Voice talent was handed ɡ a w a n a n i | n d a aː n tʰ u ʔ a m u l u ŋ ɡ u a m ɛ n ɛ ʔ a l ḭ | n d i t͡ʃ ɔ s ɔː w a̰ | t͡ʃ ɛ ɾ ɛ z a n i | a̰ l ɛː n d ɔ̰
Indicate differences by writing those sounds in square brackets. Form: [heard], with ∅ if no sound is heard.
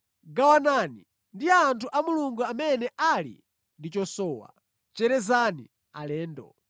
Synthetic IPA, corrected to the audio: ɡ a w a n a n i | n d [i] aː n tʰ u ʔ a m u l u ŋ ɡ u a m ɛ n ɛ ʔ a l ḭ | n d i t͡ʃ ɔ s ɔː w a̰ | t͡ʃ ɛ ɾ ɛ z a n i | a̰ l ɛː n d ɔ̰